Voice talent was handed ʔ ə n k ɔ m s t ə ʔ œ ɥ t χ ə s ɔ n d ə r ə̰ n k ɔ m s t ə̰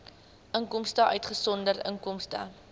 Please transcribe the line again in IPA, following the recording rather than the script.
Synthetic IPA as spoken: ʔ ə ŋ k ɔ m s t ə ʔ œ ɥ t χ ə s ɔ n d ə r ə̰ ŋ k ɔ m s t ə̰

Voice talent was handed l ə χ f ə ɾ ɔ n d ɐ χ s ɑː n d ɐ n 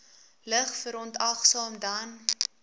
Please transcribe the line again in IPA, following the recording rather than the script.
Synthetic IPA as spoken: l ə χ f ə ɾ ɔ n t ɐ χ s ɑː m d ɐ n

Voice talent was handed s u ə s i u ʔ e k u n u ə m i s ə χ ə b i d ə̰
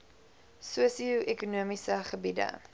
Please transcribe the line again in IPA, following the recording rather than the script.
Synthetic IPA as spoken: s u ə s i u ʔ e k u n u ə m i s ə χ ə b i d ə̰

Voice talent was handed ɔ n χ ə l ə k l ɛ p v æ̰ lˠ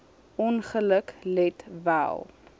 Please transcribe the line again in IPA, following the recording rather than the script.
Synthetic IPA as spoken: ɔ n χ ə l ə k l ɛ t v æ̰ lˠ

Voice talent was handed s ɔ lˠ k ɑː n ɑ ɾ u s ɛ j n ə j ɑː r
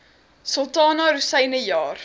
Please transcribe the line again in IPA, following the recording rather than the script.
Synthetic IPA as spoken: s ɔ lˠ t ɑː n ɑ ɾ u s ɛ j n ə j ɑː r

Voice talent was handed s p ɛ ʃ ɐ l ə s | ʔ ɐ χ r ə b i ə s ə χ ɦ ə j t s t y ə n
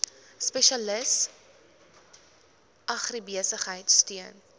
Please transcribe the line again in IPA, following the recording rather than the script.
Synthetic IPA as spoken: s p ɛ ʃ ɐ l ə s | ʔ ɐ χ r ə b i ə s ə χ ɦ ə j t s t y ə n

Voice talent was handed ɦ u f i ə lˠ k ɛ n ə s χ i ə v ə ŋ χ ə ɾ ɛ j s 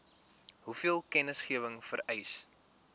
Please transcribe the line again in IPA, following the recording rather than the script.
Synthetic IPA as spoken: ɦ u f i ə lˠ k ɛ n ə s χ i ə v ə ŋ f ə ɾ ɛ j s

